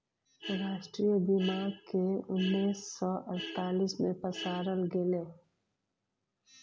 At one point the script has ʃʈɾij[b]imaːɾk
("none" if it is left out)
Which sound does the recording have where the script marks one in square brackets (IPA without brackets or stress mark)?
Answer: b